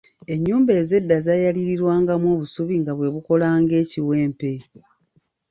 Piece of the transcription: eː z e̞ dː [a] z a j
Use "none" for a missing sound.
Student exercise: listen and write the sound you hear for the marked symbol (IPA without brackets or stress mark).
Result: a